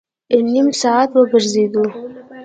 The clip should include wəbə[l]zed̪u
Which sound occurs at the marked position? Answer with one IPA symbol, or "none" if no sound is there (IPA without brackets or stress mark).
ɾ